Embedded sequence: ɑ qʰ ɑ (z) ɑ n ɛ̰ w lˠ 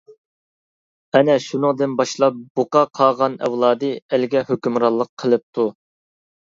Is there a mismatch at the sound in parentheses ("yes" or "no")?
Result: yes